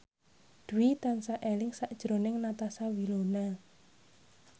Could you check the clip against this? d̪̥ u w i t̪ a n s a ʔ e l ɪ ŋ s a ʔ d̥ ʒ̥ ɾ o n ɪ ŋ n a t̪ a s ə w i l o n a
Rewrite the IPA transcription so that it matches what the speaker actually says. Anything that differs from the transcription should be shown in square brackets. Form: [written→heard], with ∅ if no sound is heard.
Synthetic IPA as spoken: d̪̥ u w i t̪ a n s a ʔ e l ɪ ŋ s a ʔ d̥ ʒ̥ ɾ o n ɪ ŋ n a t̪ a s [ə→a] w i l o n a